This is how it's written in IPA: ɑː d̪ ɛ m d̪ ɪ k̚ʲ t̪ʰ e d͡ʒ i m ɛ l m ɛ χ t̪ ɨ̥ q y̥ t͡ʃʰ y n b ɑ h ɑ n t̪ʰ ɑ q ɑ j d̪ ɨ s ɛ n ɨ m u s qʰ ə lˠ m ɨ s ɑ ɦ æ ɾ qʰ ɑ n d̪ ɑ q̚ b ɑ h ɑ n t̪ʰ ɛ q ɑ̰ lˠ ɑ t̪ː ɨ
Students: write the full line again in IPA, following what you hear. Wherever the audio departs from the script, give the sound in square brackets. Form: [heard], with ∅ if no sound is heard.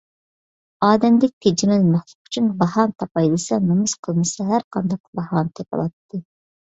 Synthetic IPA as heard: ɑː d̪ ɛ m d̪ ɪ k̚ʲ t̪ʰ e d͡ʒ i m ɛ l m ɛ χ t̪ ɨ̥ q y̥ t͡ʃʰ y n b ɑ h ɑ n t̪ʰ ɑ [p] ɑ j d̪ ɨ s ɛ n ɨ m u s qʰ ə lˠ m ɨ s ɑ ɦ æ ɾ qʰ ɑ n d̪ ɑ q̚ b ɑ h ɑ n t̪ʰ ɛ [p] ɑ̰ lˠ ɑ t̪ː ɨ